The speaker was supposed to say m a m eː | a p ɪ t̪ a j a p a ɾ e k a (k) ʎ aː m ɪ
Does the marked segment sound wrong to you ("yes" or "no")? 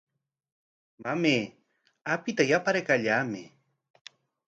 yes